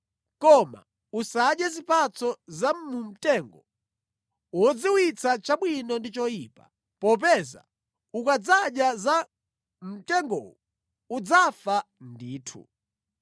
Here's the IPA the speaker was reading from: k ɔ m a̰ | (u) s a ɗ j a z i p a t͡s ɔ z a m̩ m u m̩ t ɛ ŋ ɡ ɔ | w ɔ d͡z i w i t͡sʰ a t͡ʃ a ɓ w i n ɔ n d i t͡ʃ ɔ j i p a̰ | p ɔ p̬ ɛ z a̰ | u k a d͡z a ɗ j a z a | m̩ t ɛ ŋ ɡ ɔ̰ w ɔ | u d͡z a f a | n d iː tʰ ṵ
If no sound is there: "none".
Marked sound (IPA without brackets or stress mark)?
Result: u